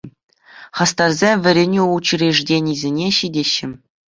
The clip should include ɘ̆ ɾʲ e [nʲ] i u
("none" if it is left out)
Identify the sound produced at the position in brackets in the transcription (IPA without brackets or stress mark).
nʲ